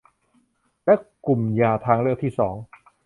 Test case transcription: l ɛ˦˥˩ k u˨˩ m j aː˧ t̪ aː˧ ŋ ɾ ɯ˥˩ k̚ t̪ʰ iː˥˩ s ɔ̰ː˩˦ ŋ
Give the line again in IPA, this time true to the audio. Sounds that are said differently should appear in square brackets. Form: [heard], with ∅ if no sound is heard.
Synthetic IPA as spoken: l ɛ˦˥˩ k u˨˩ m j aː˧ [t̪ʰ] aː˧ ŋ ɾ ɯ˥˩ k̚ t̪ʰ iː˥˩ s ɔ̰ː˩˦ ŋ